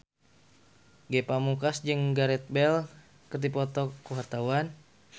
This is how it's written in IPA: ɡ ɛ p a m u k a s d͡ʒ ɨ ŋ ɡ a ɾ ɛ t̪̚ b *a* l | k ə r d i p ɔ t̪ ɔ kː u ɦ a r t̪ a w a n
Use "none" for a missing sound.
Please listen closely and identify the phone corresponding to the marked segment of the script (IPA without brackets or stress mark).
ɛ